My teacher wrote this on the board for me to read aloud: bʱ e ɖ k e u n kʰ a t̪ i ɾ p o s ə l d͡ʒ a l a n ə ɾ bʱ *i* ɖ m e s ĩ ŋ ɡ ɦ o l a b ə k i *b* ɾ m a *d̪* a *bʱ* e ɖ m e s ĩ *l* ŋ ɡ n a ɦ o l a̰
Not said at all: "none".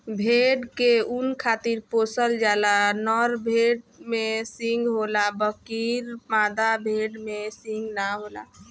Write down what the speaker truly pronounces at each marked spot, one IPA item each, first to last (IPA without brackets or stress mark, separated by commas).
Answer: e, none, d̪, bʱ, none